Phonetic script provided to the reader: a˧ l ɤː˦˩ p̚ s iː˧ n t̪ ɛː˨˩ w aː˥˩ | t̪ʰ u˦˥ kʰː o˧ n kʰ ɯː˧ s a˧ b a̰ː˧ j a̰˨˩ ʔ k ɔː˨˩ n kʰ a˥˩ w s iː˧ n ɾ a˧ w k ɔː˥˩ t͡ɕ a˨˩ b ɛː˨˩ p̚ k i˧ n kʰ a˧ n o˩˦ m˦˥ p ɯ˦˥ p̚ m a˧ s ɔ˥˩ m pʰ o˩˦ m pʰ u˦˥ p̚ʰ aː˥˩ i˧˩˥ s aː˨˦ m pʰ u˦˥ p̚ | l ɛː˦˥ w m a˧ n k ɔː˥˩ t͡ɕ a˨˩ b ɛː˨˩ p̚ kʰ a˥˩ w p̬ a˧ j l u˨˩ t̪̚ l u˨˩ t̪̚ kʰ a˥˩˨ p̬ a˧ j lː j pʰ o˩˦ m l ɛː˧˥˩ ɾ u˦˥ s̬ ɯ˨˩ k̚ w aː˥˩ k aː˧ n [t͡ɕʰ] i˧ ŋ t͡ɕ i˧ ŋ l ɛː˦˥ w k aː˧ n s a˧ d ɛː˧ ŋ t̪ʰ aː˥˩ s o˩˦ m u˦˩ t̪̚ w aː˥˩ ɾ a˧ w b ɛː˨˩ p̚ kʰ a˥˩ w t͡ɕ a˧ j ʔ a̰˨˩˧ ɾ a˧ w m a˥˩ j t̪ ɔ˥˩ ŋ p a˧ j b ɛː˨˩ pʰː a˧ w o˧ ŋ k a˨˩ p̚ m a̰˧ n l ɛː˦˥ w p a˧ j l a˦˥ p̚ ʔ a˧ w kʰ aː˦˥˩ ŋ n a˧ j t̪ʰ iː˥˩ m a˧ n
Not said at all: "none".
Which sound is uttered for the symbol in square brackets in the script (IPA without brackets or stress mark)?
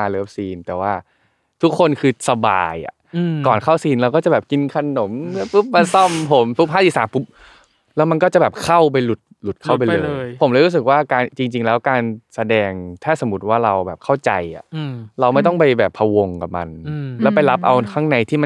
t͡ɕ